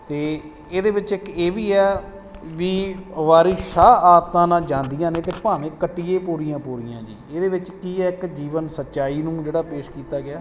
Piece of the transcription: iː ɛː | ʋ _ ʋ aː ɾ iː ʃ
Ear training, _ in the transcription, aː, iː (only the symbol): iː